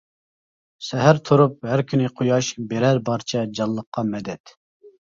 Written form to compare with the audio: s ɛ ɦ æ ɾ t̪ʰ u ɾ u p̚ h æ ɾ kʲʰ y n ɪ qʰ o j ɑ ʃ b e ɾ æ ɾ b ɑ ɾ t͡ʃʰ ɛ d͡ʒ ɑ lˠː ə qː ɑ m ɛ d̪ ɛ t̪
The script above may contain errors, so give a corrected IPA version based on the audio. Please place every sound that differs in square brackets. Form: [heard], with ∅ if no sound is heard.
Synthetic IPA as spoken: s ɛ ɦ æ ɾ t̪ʰ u ɾ u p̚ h æ ɾ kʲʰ y n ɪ qʰ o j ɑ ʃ b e ɾ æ ɾ b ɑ ɾ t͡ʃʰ ɛ d͡ʒ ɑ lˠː ə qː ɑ m ɛ d̪ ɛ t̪